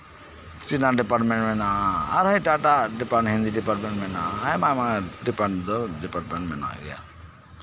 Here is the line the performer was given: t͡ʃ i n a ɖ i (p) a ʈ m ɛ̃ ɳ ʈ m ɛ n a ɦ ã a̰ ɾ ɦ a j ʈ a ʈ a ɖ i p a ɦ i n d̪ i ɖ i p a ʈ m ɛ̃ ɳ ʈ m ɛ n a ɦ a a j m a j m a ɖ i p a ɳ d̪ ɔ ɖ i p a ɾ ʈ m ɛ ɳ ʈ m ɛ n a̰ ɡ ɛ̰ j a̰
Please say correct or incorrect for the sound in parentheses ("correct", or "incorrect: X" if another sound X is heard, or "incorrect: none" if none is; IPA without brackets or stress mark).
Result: correct